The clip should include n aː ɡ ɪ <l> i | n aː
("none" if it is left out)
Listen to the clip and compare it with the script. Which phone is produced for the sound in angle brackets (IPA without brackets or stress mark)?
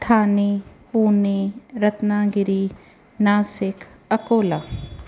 ɾ